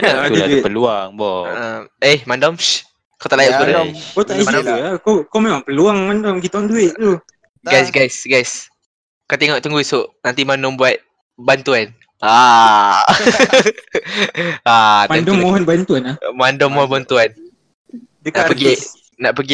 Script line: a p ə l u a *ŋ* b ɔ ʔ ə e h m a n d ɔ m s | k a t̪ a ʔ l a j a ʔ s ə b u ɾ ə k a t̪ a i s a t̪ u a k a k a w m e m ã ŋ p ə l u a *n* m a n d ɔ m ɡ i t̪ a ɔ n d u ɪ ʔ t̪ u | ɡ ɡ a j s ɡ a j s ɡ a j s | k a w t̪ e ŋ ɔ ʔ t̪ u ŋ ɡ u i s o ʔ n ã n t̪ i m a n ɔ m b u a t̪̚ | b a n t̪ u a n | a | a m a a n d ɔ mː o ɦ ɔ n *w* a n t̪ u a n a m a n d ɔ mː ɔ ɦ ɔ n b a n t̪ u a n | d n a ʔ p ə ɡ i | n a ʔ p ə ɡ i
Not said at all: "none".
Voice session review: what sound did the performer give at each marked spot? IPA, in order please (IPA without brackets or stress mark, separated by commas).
ŋ, ŋ, b